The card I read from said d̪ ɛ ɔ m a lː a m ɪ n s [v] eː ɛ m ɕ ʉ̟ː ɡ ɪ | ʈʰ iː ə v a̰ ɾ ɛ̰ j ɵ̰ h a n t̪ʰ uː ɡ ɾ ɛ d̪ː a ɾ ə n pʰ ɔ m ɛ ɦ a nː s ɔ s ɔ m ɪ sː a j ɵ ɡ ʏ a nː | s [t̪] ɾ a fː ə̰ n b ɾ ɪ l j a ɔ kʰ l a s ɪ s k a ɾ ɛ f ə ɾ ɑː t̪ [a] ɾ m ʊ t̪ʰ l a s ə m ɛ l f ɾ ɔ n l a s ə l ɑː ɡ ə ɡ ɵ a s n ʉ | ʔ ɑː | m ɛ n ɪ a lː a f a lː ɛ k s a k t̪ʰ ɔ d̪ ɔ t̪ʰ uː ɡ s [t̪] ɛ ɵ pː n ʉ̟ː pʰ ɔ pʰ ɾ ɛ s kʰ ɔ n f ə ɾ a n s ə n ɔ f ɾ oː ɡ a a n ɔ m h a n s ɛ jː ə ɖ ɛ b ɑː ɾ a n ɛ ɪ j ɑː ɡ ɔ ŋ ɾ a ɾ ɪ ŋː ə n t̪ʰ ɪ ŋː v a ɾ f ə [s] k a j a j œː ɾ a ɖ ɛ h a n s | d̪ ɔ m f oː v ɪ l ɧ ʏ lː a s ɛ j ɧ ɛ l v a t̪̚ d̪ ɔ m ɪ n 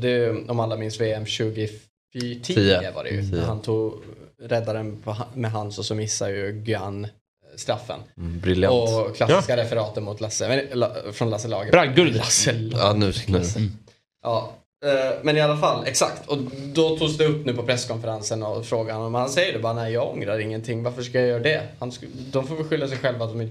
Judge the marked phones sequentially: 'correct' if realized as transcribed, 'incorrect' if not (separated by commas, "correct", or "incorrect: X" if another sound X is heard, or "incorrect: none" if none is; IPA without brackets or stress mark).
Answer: correct, correct, incorrect: ə, incorrect: d̪, incorrect: ʂ